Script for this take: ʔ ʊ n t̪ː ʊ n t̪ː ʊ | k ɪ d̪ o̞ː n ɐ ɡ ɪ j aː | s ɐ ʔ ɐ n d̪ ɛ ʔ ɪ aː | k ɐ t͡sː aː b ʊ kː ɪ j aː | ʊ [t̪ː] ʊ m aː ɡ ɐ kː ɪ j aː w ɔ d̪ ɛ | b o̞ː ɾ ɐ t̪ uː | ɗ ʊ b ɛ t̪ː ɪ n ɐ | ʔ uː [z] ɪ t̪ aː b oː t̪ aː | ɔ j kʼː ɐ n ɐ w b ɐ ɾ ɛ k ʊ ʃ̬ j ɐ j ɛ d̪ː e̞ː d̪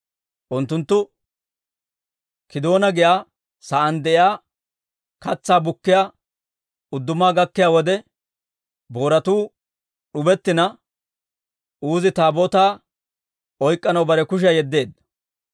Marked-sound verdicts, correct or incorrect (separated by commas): incorrect, correct